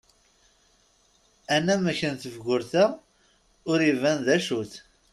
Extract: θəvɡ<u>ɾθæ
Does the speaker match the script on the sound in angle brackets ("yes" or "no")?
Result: no